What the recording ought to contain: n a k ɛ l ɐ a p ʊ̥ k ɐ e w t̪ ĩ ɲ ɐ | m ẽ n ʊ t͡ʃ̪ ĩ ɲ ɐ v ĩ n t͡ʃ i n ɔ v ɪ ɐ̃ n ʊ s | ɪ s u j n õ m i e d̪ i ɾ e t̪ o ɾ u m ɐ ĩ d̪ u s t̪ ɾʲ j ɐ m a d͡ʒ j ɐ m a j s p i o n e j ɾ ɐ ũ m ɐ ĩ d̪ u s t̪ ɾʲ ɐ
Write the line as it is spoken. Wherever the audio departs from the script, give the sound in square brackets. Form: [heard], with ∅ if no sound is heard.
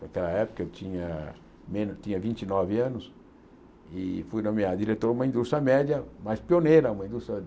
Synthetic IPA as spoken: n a k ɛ l ɐ [ɛ] p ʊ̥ k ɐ e w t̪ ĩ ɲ ɐ | m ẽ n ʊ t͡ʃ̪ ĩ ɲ ɐ v ĩ n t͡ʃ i n ɔ v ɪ ɐ̃ n ʊ s | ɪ [f] u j n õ m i [a] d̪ i ɾ e t̪ o ɾ u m ɐ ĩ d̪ u s t̪ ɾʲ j ɐ m [ɛ] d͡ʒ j ɐ m a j s p i o n e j ɾ ɐ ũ m ɐ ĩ d̪ u s t̪ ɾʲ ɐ